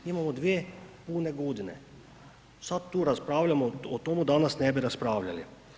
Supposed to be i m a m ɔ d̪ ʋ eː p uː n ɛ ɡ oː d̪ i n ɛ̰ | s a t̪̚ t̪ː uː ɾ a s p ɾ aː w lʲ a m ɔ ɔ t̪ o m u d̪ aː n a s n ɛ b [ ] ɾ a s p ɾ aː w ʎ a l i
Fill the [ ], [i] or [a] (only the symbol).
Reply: i